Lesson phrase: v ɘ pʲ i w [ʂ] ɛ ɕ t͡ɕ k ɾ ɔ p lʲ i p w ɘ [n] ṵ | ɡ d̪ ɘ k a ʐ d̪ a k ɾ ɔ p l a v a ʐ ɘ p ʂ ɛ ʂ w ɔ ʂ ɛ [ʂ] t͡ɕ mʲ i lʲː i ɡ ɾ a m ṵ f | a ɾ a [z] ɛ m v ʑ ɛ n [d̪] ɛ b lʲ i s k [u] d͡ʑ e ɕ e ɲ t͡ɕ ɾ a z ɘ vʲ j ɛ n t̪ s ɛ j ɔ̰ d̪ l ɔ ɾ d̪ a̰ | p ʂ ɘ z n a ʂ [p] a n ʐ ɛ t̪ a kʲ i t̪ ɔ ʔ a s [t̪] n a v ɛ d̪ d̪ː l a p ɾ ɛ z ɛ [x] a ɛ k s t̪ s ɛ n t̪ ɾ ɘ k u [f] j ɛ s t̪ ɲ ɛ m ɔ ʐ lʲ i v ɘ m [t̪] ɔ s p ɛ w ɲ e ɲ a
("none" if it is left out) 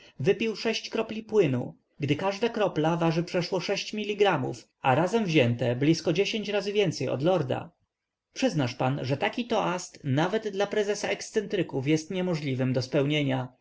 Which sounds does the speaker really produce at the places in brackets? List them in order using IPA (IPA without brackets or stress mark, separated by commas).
ʂ, n, ɕ, z, t̪, ɔ, p, t̪, s, f, d̪